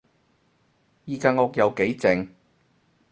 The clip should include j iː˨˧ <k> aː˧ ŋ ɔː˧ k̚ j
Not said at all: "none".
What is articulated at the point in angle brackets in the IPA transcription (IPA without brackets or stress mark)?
k